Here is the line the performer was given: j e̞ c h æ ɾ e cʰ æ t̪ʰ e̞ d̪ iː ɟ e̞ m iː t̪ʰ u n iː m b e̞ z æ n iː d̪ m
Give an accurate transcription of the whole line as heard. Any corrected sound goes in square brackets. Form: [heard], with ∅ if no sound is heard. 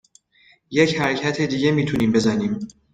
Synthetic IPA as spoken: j e̞ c h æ ɾ e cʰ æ t̪ʰ e̞ d̪ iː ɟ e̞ m iː t̪ʰ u n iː m b e̞ z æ n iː [∅] m